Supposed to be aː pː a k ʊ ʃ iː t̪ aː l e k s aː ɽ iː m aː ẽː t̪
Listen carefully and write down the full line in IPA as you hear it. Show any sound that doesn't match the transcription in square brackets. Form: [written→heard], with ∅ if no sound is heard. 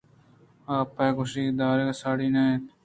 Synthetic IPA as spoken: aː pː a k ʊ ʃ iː [t̪→d̪] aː [l→ɾ] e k s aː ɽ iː [m→n] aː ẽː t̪